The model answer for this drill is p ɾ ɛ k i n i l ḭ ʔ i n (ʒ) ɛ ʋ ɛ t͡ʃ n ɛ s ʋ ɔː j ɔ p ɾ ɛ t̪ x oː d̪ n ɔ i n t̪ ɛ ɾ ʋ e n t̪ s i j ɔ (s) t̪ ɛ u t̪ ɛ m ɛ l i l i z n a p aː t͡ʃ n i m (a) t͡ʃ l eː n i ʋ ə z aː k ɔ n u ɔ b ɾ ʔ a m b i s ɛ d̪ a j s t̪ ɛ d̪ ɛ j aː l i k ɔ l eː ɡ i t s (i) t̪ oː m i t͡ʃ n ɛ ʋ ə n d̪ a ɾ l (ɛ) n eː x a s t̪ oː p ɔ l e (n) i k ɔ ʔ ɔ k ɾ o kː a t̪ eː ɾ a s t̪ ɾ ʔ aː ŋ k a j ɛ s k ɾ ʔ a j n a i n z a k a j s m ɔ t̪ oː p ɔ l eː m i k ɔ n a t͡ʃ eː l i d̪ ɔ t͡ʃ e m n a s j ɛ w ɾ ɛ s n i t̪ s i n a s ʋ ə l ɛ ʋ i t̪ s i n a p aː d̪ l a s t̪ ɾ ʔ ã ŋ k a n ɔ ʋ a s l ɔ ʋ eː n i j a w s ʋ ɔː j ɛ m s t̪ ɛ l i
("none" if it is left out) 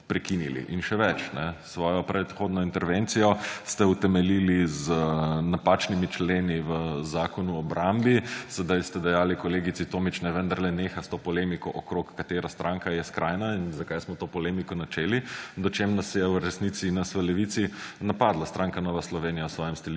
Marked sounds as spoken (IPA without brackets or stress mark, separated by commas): ʃ, s, i, i, ɛ, m